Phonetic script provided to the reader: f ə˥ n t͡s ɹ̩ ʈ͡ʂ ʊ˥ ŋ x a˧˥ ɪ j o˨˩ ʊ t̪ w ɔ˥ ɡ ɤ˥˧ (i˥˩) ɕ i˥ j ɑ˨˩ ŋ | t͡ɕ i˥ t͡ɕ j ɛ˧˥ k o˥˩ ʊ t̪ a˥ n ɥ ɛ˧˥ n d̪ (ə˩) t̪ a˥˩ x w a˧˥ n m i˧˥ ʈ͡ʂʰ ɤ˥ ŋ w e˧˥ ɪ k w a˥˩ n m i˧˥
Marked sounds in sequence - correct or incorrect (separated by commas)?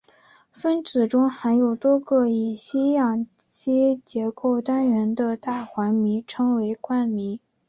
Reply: incorrect, incorrect